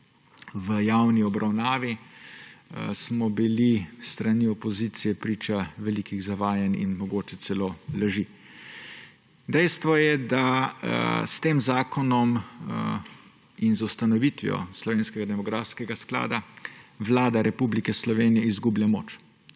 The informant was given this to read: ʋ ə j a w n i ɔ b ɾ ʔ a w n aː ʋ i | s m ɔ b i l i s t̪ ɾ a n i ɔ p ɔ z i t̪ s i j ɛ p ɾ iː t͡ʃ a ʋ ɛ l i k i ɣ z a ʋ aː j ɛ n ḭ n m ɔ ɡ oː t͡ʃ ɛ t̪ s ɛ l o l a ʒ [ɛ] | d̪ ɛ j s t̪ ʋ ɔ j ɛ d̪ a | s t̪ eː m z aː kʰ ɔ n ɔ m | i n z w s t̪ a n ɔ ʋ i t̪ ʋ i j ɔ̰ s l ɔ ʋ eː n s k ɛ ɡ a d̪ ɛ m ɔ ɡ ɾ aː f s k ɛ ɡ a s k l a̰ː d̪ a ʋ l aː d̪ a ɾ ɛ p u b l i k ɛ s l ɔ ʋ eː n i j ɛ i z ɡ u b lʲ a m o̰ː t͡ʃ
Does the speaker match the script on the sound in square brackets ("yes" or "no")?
no